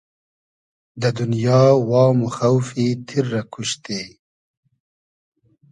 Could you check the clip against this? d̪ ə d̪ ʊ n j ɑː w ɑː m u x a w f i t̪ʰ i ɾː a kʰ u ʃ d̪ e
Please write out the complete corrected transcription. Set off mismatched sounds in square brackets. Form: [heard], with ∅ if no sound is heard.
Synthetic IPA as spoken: d̪ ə d̪ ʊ n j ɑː w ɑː m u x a w f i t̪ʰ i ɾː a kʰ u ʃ [t̪] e

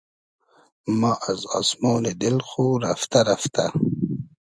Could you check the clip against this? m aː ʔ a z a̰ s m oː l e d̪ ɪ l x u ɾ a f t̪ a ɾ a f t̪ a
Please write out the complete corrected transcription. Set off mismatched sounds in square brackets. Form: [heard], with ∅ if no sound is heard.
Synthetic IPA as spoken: m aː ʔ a z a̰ s m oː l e d̪ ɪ l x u ɾ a f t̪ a ɾ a f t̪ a

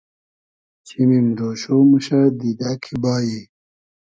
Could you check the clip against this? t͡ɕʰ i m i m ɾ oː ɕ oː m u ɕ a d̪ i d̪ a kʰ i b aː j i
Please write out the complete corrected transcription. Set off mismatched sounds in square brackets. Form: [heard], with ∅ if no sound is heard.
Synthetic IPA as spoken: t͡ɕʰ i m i m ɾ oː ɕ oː m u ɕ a d̪ i d̪ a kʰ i b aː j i

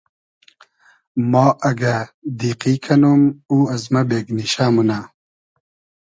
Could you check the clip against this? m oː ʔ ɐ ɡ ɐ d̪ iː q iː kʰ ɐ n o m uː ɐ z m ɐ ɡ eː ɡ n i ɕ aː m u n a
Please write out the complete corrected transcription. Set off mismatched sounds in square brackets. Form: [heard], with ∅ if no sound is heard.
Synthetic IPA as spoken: m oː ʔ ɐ ɡ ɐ d̪ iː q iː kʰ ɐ n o m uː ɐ z m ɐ [b] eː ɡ n i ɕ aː m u n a

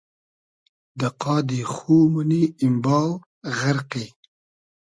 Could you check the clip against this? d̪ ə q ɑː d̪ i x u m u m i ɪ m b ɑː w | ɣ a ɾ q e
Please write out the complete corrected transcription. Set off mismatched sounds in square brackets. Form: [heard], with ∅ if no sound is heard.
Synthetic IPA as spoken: d̪ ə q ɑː d̪ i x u m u [n] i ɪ m b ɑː w | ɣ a ɾ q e

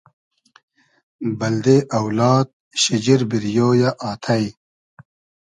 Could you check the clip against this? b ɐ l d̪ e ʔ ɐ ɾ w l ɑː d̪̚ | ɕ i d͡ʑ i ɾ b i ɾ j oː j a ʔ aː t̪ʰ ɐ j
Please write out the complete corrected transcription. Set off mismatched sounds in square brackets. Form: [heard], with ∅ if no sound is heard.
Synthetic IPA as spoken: b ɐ l d̪ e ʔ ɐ [∅] w l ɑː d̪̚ | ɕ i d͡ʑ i ɾ b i ɾ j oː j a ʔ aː t̪ʰ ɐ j

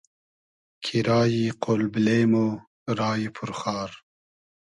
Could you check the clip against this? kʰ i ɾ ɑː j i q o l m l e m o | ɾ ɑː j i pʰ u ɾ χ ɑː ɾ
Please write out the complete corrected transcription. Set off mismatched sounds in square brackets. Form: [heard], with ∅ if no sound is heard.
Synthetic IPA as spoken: kʰ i ɾ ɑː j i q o l [b] l e m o | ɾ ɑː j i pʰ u ɾ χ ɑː ɾ

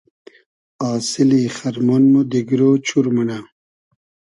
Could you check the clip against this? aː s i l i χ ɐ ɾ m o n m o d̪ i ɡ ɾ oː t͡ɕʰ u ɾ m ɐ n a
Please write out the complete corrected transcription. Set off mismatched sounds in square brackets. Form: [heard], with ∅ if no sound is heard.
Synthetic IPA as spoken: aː s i l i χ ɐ ɾ m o n m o d̪ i ɡ ɾ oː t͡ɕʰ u ɾ m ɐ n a

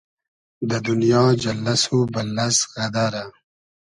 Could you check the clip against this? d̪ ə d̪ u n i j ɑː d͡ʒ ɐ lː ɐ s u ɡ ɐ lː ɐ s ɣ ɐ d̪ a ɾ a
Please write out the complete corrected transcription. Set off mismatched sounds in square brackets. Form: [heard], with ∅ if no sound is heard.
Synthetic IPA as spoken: d̪ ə d̪ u n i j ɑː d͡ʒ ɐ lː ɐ s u [b] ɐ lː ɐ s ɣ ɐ d̪ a ɾ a

